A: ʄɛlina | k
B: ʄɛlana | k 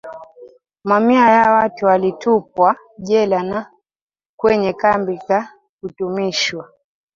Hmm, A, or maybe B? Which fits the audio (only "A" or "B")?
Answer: B